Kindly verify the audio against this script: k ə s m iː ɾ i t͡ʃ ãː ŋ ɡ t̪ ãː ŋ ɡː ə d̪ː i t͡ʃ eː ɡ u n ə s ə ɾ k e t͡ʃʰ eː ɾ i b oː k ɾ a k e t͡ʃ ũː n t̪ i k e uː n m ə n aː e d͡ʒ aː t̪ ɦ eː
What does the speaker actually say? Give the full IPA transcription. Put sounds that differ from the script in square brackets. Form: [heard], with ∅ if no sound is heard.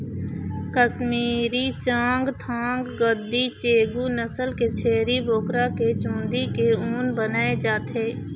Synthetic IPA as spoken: k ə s m iː ɾ i t͡ʃ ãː ŋ ɡ [t̪ʰ] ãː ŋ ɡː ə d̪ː i t͡ʃ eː ɡ u n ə s ə [l] k e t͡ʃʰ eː ɾ i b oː k ɾ a k e t͡ʃ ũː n [d̪] i k e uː n [b] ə n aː e d͡ʒ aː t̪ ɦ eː